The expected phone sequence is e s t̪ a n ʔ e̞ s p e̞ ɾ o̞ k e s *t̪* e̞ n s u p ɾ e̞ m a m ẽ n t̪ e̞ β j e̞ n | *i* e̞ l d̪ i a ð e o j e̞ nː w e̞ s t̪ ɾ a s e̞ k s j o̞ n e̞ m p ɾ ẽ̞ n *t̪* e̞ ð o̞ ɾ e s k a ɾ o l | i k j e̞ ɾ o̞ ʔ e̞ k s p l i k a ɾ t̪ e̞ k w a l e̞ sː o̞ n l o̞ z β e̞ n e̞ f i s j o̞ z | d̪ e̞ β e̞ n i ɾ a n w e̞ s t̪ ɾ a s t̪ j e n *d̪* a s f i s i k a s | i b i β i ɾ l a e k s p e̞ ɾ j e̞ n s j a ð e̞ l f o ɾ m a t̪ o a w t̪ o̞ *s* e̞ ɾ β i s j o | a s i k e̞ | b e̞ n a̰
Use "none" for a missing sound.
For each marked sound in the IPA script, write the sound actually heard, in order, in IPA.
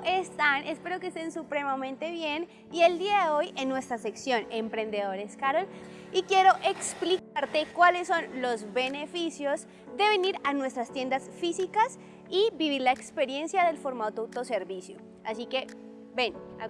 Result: t̪, i, d̪, d̪, s

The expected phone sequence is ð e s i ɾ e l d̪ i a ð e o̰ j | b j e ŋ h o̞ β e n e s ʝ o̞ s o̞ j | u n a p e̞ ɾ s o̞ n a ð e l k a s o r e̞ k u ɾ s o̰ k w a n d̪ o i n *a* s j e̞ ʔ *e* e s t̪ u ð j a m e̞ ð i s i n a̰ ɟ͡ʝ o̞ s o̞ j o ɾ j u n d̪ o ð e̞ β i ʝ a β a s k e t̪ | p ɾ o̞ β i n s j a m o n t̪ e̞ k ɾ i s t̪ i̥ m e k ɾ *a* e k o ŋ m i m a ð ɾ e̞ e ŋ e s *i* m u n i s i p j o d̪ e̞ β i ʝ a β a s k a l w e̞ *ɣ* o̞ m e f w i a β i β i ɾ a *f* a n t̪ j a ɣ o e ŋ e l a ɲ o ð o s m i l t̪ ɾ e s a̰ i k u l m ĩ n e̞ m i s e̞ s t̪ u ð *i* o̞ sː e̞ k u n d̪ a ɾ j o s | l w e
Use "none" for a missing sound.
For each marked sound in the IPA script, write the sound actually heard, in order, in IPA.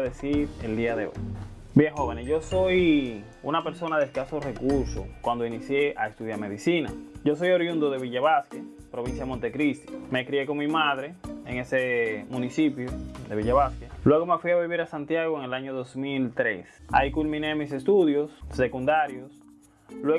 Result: i, a, i, e, ɣ, s, j

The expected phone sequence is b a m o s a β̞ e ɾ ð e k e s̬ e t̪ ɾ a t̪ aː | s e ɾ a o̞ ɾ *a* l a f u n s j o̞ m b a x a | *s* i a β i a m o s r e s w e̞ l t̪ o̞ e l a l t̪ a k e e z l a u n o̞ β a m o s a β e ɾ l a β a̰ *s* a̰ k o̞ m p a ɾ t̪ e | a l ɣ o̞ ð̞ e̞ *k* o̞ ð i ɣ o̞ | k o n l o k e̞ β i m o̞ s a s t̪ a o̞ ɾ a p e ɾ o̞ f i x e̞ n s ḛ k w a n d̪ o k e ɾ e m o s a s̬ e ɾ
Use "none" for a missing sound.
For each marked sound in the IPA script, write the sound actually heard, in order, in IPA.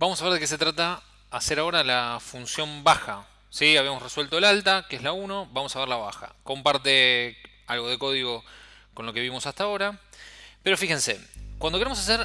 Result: a, s, x, k

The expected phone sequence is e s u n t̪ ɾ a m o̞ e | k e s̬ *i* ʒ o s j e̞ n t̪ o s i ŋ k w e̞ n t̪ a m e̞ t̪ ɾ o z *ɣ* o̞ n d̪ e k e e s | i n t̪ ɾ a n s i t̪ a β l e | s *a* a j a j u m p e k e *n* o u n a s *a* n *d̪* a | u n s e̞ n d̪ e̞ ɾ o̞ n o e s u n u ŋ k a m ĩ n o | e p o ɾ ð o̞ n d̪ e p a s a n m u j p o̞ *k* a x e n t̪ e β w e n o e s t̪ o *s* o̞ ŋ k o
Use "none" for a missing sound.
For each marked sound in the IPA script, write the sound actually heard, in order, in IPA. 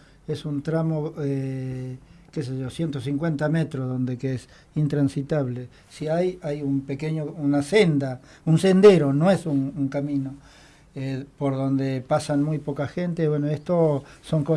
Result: e, ð, i, ɲ, e, d̪, k, s

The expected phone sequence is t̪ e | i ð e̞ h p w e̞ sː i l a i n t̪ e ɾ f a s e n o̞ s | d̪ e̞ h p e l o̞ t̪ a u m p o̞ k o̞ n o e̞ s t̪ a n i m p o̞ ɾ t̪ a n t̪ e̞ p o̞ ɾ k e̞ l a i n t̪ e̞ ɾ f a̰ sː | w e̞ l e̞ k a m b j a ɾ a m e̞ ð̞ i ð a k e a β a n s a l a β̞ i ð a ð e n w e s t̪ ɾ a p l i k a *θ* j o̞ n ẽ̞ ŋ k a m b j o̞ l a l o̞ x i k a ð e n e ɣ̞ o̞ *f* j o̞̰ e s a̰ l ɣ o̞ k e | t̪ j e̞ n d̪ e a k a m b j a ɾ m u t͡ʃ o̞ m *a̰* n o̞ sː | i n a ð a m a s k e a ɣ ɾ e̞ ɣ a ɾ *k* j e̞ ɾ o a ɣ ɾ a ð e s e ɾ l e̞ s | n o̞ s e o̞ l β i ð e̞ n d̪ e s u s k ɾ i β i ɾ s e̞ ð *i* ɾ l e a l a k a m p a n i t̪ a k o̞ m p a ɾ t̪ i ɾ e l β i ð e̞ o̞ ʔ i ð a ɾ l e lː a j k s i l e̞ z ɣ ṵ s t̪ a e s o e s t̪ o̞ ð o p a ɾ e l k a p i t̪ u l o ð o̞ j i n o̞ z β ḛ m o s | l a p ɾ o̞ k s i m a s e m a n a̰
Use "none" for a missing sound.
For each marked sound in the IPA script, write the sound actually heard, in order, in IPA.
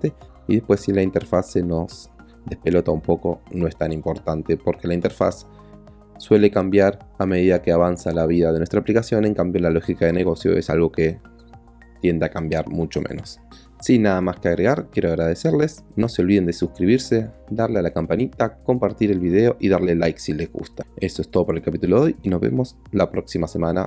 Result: s, s, ḛ, k, a

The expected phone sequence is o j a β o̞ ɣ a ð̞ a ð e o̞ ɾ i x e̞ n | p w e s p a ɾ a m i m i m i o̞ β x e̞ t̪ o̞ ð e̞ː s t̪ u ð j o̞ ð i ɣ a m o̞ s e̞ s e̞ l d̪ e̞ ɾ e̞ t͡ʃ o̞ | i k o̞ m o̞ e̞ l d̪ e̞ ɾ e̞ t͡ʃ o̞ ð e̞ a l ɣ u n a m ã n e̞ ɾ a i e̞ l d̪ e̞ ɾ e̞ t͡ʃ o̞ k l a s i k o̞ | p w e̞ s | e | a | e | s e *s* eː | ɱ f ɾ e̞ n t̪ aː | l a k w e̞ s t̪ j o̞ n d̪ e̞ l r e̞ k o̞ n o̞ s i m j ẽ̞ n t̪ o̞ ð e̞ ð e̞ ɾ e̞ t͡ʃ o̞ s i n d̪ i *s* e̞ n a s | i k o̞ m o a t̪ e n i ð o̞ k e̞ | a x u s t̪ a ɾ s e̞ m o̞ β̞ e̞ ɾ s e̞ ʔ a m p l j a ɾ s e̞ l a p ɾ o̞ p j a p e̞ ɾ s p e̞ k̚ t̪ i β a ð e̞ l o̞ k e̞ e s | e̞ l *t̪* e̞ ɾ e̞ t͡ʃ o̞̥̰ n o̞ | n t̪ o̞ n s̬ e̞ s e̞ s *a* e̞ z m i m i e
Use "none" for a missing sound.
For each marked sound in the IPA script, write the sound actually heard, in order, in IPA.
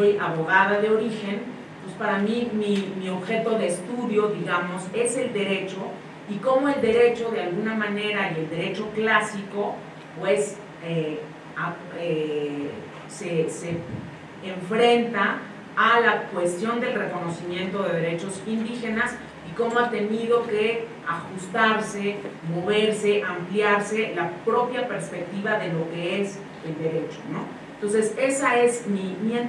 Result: s, x, d̪, a

